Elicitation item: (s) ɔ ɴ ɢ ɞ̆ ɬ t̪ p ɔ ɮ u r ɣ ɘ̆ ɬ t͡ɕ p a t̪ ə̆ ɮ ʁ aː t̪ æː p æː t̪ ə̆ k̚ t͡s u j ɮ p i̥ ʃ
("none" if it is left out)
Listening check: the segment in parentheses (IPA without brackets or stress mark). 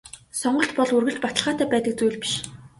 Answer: s